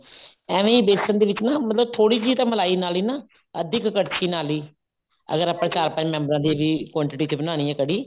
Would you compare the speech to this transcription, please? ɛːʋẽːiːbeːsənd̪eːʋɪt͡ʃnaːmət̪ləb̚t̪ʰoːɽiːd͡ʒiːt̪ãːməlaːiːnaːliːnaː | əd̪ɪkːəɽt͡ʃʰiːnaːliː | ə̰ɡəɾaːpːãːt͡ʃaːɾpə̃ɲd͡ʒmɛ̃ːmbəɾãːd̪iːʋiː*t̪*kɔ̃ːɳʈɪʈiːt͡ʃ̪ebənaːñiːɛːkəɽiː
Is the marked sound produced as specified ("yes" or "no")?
no